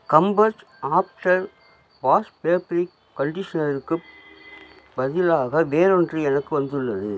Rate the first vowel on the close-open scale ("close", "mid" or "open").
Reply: open